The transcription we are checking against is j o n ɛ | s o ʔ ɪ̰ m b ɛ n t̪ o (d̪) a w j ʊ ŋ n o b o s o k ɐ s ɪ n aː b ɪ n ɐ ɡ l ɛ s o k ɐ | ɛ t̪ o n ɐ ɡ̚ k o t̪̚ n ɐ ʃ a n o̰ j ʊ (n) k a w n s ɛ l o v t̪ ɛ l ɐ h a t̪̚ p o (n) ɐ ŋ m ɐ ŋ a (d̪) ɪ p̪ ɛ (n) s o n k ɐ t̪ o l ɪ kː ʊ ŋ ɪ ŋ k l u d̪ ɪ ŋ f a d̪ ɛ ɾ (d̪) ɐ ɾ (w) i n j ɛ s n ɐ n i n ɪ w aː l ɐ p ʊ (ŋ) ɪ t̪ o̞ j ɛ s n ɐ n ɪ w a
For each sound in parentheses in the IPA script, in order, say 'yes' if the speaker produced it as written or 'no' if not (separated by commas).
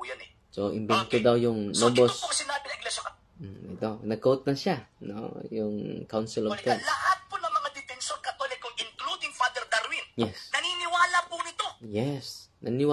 yes, no, yes, yes, yes, yes, yes, no